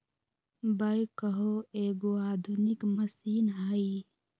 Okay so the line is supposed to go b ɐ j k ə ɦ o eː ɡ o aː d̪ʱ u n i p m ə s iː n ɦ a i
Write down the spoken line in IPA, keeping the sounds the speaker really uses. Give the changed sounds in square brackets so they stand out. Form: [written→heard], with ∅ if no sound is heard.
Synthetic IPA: b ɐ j k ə ɦ o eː ɡ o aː d̪ʱ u n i [p→k] m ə s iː n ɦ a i